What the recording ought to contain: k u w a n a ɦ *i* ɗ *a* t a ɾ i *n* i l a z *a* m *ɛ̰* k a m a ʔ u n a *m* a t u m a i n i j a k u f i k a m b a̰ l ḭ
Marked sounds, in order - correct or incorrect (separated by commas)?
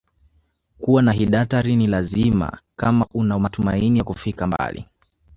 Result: correct, correct, correct, incorrect, incorrect, correct